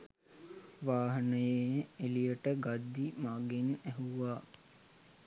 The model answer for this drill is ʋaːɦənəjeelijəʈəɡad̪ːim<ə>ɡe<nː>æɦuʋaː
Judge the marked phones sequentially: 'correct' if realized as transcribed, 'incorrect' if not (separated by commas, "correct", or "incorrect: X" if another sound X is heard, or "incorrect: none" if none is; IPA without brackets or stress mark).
incorrect: a, incorrect: n